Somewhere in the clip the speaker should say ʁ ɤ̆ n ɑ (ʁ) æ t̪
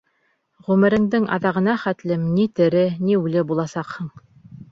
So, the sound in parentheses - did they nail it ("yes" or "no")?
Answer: no